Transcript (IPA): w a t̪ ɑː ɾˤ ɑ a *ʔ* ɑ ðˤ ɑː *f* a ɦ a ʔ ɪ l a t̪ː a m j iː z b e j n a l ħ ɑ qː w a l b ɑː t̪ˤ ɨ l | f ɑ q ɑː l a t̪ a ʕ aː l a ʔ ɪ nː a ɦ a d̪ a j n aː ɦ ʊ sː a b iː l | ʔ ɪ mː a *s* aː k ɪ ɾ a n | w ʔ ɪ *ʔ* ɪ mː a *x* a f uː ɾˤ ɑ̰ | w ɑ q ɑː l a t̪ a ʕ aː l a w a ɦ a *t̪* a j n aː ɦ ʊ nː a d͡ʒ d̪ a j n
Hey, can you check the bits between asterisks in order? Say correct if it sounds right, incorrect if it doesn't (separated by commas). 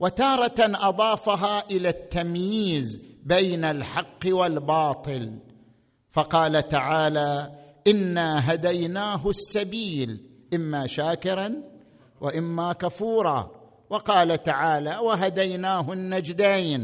correct, correct, incorrect, correct, incorrect, incorrect